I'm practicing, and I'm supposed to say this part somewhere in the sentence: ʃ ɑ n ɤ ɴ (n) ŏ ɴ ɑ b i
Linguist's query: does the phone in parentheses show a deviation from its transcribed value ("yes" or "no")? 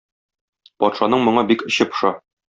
yes